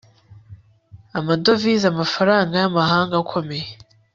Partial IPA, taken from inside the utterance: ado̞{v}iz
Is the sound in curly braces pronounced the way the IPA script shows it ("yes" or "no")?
yes